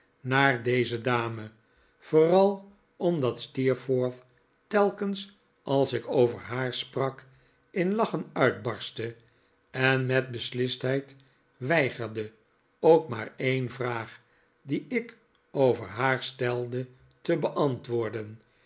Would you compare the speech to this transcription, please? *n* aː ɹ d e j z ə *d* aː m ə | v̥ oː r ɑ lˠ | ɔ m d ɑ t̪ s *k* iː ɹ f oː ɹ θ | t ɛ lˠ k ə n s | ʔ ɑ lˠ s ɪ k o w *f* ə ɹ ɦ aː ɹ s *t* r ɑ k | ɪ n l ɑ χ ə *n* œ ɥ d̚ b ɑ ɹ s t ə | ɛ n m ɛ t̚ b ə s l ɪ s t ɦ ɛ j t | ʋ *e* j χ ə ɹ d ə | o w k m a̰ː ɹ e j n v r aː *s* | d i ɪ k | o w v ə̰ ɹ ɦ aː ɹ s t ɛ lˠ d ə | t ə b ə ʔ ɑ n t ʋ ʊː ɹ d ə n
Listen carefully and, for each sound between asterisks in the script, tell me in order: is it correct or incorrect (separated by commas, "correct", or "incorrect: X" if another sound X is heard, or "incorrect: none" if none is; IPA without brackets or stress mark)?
correct, correct, incorrect: t, incorrect: v, incorrect: p, correct, incorrect: ɛ, incorrect: χ